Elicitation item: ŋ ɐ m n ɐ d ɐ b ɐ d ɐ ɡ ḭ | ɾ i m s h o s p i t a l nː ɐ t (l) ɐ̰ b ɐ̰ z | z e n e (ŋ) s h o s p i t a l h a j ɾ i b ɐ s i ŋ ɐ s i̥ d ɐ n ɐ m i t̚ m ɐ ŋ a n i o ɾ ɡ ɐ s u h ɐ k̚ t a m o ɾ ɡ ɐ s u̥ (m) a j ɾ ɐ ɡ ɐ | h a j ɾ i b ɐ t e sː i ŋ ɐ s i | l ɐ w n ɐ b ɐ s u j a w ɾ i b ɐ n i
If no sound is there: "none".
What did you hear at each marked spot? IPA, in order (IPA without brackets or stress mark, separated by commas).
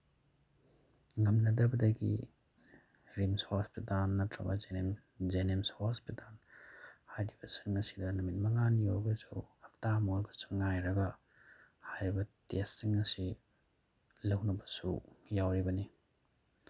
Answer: ɾ, m, ŋ